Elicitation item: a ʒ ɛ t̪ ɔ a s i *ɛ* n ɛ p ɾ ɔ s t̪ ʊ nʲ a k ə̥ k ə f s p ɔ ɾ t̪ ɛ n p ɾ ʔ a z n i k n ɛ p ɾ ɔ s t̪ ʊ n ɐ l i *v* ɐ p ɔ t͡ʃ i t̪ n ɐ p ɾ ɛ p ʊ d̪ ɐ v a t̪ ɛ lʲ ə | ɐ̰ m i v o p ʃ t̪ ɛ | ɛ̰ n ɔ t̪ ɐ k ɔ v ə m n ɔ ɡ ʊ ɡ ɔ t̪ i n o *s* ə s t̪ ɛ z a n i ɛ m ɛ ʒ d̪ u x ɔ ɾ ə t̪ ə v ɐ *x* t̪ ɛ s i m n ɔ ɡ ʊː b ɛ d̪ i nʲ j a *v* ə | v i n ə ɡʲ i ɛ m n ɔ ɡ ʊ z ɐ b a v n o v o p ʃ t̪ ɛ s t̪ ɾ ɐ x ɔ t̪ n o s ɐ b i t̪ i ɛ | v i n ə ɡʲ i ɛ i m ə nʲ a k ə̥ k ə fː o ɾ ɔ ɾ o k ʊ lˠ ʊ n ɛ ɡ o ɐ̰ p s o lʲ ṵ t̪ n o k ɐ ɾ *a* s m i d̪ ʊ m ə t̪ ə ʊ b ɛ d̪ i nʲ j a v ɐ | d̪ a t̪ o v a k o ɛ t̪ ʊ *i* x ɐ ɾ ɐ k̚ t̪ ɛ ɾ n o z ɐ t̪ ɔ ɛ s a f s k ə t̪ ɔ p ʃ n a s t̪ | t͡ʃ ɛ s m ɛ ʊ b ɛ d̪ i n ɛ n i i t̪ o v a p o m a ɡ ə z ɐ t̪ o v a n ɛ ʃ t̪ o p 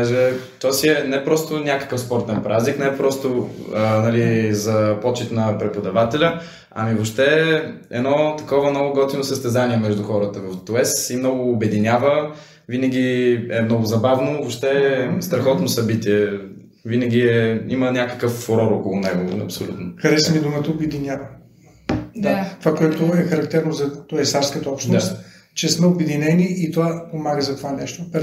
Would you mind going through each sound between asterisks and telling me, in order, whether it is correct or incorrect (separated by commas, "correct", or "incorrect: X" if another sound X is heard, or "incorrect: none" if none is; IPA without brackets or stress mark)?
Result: correct, incorrect: z, correct, incorrect: f, correct, incorrect: ɛ, incorrect: ɛ